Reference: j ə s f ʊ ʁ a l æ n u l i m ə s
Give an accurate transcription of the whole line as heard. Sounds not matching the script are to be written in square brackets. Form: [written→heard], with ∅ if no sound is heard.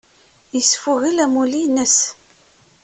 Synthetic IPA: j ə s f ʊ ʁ [a→i] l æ [n→m] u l i [m→n] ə s

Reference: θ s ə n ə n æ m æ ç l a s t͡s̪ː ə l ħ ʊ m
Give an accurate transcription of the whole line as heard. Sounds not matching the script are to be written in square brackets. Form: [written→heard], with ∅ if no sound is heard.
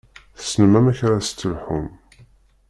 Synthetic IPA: θ s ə n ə [n→m] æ m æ ç [l→ɾ] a s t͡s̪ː ə l ħ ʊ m

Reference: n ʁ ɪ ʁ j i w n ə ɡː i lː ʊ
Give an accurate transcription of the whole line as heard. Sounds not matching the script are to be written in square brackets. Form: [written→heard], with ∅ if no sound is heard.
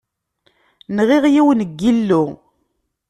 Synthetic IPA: n ʁ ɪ ʁ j i w n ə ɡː i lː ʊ

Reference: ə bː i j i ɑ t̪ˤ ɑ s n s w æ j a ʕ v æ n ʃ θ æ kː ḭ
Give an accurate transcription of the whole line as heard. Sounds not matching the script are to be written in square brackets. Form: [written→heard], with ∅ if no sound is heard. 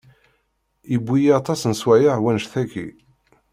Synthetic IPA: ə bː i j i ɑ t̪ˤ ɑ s n s w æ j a ʕ [v→w] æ n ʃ θ æ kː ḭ

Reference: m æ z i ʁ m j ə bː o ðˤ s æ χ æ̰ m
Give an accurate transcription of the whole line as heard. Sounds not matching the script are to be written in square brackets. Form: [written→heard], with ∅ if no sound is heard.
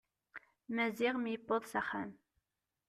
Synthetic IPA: m æ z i ʁ m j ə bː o ðˤ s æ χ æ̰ m

